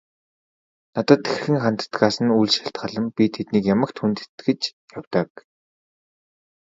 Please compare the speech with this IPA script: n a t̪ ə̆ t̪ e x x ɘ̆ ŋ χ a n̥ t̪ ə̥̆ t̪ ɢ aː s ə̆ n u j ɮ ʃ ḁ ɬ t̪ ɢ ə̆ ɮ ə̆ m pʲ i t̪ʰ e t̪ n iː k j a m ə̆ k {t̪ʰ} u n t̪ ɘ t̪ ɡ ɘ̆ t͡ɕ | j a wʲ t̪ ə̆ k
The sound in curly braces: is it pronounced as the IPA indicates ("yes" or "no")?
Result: yes